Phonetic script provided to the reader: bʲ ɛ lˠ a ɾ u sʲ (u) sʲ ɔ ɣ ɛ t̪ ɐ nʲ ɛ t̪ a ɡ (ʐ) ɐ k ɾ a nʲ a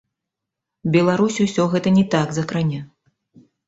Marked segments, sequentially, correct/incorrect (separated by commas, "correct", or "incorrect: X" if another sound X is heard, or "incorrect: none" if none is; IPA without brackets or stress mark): correct, incorrect: z